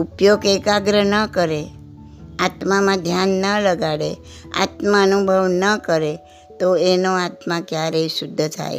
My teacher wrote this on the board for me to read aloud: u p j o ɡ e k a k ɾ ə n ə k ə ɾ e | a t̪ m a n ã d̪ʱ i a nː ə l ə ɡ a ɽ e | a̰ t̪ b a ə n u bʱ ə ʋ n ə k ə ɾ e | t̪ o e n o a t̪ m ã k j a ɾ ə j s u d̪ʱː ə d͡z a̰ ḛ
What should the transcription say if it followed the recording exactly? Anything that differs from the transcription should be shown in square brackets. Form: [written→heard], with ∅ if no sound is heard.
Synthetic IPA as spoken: u p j o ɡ e k a [k→ɡ] ɾ ə n ə k ə ɾ e | a t̪ m a [n→m] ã d̪ʱ [i→j] a nː ə l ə ɡ a ɽ e | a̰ t̪ [b→m] a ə n u bʱ ə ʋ n ə k ə ɾ e | t̪ o e n o a t̪ m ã k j a ɾ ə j s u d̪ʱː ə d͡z a̰ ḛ